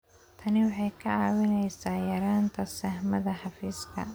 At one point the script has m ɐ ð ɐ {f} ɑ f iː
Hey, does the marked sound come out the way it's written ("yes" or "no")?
no